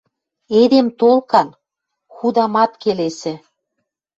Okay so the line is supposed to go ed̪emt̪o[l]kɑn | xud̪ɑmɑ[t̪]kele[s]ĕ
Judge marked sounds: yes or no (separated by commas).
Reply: yes, yes, yes